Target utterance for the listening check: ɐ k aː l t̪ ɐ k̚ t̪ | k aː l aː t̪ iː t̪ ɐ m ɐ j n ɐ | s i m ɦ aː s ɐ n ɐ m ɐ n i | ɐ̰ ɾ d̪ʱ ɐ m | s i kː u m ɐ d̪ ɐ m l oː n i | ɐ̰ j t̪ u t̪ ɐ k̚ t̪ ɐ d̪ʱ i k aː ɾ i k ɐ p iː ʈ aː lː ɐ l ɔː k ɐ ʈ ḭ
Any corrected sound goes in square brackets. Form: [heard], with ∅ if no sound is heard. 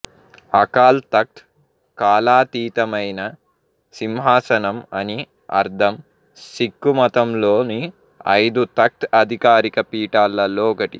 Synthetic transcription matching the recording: ɐ k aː l t̪ ɐ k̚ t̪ | k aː l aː t̪ iː t̪ ɐ m ɐ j n ɐ | s i m ɦ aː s ɐ n ɐ m ɐ n i | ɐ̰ ɾ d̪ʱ ɐ m | s i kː u m ɐ [t̪] ɐ m l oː n i | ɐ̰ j [d̪] u t̪ ɐ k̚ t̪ ɐ d̪ʱ i k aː ɾ i k ɐ p iː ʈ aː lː ɐ l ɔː k ɐ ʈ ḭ